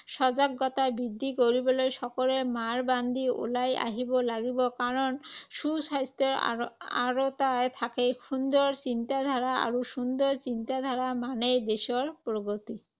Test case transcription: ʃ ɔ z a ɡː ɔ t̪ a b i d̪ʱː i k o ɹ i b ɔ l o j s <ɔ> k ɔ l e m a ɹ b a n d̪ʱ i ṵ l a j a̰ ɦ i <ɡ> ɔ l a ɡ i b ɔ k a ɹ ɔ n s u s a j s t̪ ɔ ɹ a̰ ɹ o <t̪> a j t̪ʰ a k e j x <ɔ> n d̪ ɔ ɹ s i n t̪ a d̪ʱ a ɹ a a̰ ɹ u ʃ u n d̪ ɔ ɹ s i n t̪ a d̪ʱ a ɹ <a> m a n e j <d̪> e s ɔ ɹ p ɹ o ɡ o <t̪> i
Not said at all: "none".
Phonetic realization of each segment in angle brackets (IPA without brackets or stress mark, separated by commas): ɔ, b, t̪, u, a, d̪, t̪